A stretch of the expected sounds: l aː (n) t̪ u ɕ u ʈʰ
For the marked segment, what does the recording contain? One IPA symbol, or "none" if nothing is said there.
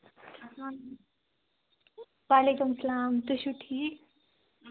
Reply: m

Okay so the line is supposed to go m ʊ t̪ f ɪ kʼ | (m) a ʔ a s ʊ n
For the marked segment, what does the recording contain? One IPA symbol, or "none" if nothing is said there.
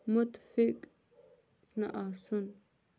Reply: n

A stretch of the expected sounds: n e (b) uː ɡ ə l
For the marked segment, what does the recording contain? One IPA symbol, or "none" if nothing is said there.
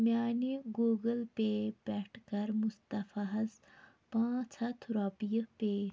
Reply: ɡ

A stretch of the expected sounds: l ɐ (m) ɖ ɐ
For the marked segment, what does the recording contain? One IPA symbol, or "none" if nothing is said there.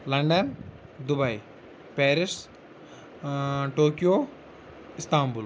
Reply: ɳ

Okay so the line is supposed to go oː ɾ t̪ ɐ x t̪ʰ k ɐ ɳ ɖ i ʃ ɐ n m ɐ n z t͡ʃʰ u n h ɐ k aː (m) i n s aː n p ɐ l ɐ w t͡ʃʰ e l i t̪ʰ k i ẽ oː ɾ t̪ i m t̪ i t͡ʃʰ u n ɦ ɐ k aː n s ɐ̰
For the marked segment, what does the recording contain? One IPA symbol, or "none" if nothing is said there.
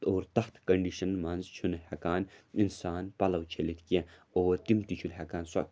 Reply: n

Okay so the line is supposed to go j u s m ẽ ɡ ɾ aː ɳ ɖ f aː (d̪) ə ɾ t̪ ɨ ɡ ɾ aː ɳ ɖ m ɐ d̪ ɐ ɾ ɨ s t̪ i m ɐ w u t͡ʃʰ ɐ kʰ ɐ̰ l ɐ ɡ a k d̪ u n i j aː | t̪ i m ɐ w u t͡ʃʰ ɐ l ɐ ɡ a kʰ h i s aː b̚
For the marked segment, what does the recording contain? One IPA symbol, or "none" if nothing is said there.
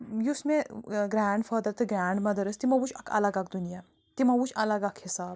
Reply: d̪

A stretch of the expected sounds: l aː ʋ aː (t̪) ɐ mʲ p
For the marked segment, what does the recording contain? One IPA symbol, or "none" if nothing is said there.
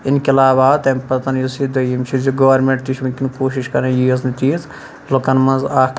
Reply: t̪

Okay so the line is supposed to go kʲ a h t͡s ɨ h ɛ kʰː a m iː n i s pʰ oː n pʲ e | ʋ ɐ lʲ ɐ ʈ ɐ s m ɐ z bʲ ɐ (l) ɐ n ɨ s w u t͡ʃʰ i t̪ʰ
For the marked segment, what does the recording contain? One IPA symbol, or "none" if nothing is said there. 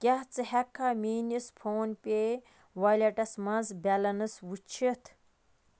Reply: l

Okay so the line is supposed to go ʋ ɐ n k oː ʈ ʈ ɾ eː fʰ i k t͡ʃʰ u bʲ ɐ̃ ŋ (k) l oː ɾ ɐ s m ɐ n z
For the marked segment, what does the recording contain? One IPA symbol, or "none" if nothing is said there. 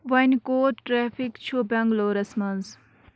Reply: ɡ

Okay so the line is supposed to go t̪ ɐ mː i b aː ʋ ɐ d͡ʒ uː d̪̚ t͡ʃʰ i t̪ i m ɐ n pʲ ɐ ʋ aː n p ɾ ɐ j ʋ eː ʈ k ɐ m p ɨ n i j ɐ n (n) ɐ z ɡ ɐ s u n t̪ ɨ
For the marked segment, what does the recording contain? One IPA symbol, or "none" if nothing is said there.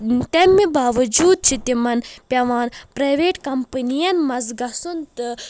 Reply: m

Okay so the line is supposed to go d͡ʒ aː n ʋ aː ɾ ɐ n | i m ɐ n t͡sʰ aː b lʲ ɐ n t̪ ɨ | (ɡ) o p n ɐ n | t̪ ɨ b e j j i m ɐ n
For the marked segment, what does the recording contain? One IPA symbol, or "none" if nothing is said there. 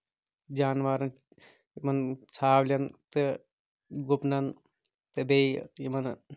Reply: ɡ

